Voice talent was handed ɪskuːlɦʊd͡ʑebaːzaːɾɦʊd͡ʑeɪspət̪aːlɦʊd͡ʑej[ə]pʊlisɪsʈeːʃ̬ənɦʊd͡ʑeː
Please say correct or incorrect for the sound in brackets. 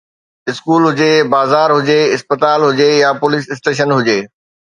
incorrect